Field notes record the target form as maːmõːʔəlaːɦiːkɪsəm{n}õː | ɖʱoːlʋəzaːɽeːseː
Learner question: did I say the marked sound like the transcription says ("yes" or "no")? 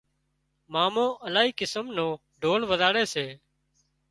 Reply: yes